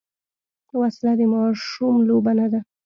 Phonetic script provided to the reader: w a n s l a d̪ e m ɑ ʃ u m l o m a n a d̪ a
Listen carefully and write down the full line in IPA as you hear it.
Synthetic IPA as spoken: w a s l a d̪ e m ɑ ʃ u m l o b a n a d̪ a